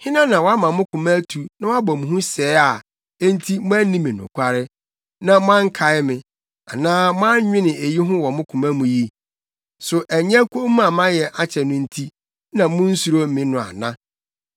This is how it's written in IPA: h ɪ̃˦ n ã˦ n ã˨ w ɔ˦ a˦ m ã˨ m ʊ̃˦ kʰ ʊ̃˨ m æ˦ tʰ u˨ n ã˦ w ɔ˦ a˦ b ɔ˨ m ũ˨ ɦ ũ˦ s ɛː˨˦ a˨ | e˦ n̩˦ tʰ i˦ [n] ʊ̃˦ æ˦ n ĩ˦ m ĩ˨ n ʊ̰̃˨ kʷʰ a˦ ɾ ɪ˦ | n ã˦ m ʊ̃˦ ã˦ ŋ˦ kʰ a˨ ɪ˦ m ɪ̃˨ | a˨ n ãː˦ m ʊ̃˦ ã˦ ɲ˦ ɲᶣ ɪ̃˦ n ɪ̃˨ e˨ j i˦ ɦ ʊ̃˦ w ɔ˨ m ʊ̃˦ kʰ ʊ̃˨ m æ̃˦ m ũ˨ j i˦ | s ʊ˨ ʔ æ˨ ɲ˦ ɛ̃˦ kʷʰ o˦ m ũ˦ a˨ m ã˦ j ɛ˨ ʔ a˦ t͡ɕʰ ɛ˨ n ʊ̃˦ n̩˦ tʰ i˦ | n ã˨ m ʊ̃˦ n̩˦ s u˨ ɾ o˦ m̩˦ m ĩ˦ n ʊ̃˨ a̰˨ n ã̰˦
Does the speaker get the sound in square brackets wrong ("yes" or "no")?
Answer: yes